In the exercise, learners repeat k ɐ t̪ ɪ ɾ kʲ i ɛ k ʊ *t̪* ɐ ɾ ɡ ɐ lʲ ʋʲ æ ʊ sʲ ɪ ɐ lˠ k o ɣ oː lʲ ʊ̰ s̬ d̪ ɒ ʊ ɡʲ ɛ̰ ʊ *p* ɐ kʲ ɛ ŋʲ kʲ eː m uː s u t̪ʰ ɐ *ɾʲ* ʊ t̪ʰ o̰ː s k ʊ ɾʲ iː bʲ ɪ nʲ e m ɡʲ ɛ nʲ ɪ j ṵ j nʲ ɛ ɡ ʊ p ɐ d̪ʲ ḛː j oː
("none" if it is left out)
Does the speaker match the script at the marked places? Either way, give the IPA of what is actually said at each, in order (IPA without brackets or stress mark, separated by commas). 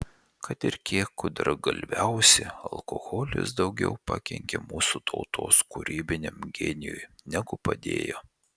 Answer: d̪, p, none